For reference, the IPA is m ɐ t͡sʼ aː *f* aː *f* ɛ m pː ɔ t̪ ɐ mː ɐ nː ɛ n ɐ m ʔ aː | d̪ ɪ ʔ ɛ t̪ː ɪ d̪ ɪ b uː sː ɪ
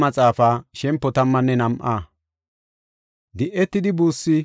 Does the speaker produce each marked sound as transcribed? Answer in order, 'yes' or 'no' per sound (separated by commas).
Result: yes, no